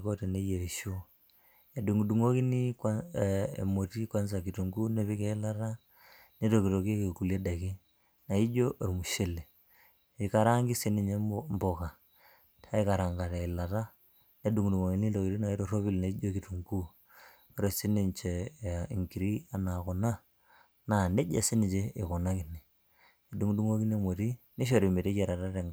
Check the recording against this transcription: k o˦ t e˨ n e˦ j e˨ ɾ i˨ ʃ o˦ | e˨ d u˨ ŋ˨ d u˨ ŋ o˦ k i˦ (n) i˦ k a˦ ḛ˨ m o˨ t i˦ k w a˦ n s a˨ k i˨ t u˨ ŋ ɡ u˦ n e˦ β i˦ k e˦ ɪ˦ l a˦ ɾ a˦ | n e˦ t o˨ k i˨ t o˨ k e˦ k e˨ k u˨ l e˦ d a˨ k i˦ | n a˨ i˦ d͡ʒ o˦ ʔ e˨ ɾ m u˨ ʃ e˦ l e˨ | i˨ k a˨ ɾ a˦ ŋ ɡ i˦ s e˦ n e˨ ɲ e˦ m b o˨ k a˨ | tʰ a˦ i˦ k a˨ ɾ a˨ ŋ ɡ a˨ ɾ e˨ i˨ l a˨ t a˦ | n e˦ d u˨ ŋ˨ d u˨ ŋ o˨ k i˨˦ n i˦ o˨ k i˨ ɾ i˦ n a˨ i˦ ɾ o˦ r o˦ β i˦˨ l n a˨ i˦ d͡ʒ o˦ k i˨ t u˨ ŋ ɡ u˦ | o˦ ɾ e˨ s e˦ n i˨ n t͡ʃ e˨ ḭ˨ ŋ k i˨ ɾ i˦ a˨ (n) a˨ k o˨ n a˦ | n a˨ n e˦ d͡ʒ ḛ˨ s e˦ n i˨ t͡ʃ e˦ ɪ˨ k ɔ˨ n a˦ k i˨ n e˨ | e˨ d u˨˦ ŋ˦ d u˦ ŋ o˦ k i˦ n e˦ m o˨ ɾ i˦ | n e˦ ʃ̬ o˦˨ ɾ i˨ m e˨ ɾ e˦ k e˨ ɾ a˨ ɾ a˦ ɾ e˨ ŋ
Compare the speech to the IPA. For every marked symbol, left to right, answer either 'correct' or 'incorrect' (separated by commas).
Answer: correct, correct